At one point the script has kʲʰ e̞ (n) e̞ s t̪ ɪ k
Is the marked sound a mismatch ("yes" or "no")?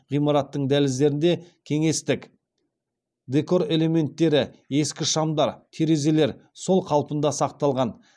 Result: yes